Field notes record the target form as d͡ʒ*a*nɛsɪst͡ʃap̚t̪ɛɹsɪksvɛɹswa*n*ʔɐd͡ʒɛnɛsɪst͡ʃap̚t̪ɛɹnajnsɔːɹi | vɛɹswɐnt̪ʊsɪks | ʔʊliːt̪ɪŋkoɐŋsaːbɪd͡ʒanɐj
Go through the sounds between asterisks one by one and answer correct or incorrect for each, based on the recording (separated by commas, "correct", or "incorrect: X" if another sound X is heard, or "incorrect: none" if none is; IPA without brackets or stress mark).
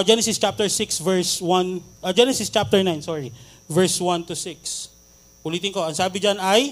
incorrect: ɛ, correct